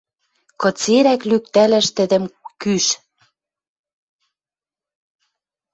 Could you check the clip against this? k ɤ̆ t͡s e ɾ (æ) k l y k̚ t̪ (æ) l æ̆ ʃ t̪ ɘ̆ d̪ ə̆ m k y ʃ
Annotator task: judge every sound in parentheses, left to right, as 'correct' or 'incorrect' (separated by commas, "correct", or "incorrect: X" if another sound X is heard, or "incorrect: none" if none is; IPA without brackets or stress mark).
correct, correct